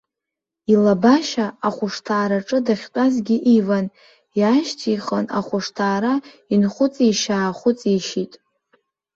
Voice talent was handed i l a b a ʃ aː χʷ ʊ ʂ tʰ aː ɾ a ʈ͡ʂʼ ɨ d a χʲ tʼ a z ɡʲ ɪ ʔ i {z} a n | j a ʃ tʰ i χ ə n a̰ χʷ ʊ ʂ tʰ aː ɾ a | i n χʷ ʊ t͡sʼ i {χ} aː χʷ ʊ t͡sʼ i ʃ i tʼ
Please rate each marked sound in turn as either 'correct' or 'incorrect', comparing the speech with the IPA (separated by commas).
incorrect, incorrect